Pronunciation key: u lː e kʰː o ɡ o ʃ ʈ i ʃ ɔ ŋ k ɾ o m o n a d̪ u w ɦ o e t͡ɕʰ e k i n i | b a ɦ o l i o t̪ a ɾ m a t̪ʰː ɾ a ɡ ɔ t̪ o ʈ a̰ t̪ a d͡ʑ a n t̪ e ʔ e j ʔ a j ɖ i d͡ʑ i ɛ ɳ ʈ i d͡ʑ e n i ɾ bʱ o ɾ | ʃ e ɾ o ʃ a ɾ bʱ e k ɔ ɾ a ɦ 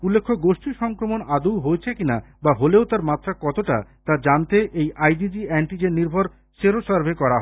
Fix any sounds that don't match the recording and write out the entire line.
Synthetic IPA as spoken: u lː e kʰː o ɡ o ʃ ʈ i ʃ ɔ ŋ k ɾ o m o n a d̪ u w ɦ o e t͡ɕʰ e k i n a | b a ɦ o l e o t̪ a ɾ m a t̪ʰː ɾ a k ɔ t̪ o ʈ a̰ t̪ a d͡ʑ a n t̪ e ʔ e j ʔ a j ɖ i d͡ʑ i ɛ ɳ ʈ i d͡ʑ e n i ɾ bʱ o ɾ | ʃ e ɾ o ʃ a ɾ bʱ e k ɔ ɾ a ɦ